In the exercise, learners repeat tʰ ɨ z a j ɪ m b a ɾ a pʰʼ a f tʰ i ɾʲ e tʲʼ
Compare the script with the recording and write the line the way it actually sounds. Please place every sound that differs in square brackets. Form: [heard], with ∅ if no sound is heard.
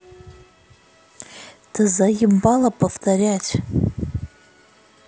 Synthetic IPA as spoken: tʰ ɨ z a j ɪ m b a [l] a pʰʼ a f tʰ [a] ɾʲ [a] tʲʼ